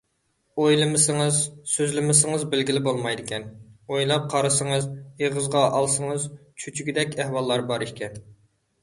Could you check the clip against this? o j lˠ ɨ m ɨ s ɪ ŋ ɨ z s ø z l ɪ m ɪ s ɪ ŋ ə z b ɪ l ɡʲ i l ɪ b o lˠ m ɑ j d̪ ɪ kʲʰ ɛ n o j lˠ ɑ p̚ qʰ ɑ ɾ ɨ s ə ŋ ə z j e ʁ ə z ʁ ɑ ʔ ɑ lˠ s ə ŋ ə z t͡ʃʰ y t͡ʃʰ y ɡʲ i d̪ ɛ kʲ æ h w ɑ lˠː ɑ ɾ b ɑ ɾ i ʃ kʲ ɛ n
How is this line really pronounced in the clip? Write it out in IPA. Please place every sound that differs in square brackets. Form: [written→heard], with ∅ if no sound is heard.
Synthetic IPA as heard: o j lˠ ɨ m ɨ s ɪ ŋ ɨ z s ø z l ɪ m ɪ s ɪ ŋ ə z b ɪ l ɡʲ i l ɪ b o lˠ m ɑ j d̪ ɪ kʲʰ ɛ n o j lˠ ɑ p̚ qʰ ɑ ɾ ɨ s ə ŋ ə z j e ʁ ə z ʁ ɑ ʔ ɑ lˠ s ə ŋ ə z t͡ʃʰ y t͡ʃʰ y ɡʲ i d̪ ɛ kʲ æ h w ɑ lˠː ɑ ɾ b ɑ ɾ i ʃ kʲ ɛ n